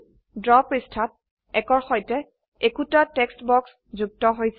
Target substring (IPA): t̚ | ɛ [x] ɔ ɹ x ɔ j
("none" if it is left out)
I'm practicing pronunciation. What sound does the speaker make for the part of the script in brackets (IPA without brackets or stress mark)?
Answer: k